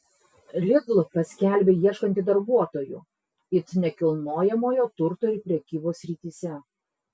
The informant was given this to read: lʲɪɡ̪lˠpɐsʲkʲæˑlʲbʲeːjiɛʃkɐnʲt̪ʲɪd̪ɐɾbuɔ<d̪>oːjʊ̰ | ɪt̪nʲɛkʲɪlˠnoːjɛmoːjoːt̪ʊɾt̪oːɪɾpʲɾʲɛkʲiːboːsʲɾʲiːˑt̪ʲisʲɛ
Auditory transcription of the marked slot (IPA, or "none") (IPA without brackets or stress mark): t̪